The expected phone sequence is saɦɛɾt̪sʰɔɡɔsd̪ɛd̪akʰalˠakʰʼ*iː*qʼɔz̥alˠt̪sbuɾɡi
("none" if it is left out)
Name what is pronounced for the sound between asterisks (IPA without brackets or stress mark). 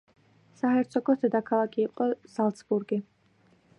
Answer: iː